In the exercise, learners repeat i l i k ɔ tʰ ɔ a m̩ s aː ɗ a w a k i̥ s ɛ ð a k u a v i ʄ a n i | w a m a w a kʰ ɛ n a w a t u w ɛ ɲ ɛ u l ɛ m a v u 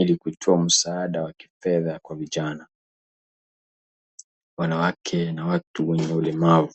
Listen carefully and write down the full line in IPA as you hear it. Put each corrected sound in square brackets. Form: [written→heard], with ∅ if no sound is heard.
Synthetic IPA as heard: i l i k [ɔ→u] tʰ ɔ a m̩ s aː ɗ a w a k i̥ [s→f] ɛ ð a k [u→w] a v i ʄ a n [i→a] | w a [m→n] a w a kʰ ɛ n a w a t u w ɛ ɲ ɛ u l ɛ m a v u